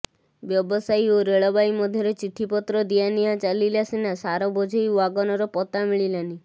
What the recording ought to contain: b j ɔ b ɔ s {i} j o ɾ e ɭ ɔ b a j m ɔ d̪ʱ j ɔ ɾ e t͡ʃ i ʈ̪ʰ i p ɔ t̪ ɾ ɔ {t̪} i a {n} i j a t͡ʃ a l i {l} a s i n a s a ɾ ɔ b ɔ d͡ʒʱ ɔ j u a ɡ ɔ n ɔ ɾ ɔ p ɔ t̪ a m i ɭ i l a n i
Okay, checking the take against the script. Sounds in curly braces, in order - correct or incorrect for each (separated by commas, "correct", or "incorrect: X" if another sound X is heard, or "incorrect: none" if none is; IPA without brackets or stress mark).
incorrect: a, incorrect: d̪, correct, correct